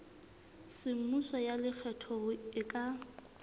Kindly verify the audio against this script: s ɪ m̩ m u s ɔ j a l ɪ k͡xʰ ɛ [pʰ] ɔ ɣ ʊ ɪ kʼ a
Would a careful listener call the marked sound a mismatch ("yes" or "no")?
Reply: yes